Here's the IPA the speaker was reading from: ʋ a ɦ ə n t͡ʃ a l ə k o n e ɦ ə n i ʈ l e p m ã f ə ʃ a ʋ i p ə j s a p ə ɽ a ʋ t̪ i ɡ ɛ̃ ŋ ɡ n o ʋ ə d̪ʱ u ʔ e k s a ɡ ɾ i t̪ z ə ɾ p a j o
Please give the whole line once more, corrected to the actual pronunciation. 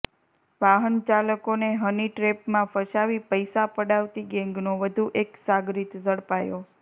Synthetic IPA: ʋ a ɦ ə n t͡ʃ a l ə k o n e ɦ ə n i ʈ ɾ e p m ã f ə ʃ a ʋ i p ə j s a p ə ɽ a ʋ t̪ i ɡ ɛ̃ ŋ ɡ n o ʋ ə d̪ʱ u ʔ e k s a ɡ ɾ i t̪ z ə ɽ p a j o